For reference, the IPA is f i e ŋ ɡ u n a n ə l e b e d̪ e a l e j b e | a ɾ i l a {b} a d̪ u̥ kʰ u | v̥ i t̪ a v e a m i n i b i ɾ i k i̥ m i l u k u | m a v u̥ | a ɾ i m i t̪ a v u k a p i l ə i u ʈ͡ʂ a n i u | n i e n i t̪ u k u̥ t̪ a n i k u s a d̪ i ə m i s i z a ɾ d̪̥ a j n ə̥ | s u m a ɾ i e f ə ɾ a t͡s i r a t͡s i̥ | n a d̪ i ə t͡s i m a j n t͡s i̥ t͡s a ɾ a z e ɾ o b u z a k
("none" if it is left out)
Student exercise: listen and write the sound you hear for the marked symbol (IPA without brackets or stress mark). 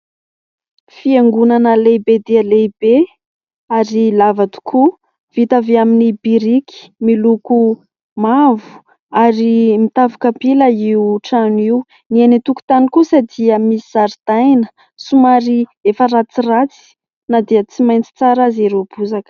v